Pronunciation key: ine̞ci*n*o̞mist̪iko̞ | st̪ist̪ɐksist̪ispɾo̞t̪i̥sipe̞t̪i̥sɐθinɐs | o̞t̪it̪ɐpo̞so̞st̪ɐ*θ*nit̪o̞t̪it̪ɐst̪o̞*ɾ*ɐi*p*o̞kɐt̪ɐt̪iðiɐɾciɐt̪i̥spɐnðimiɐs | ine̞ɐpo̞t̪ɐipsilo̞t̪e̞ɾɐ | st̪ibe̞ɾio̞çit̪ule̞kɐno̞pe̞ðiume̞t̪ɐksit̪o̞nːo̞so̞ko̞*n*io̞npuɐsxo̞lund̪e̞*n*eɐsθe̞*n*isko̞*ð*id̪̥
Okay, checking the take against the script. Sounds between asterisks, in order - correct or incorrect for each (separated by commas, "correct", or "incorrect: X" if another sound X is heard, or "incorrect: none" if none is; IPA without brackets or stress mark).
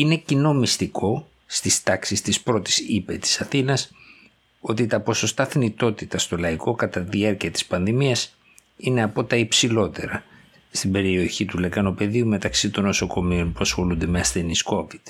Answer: correct, correct, incorrect: l, incorrect: k, incorrect: m, incorrect: m, correct, incorrect: v